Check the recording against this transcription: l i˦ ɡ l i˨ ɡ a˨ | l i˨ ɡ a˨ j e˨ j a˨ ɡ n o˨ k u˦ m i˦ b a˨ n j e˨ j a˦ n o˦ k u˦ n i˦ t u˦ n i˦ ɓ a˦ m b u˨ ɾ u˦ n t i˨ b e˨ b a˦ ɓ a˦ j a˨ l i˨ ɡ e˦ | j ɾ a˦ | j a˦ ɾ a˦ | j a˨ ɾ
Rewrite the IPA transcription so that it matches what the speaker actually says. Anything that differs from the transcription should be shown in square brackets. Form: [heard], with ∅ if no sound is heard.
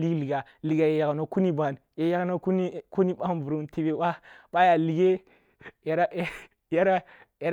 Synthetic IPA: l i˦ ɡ l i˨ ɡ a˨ | l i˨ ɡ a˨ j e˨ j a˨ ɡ n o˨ k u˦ [n] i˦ b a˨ n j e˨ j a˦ n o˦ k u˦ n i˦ [k] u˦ n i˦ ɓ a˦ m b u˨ ɾ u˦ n t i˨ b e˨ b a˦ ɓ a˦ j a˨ l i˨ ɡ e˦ | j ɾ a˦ | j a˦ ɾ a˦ | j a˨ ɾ